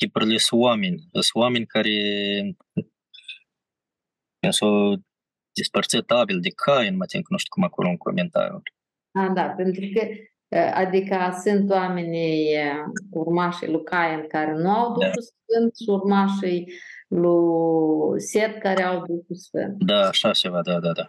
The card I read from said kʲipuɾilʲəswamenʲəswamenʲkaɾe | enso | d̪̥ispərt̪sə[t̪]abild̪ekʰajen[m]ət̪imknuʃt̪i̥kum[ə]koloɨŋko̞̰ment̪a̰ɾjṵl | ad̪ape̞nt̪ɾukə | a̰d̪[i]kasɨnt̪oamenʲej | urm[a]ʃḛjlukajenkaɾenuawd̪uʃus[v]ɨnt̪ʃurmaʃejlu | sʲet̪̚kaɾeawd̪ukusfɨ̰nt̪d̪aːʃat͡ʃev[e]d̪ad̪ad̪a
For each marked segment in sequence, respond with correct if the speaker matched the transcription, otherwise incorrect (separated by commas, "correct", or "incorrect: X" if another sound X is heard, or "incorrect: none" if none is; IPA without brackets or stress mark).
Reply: correct, correct, incorrect: a, correct, correct, incorrect: f, incorrect: a